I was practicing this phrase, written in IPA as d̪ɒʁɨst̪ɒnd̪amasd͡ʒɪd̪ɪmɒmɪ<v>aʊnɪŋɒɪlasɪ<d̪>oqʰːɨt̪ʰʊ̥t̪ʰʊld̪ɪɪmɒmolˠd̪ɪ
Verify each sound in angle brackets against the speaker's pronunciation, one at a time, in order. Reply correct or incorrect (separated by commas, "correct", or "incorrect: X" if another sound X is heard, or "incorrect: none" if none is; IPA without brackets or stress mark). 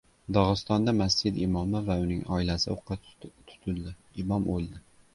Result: correct, incorrect: none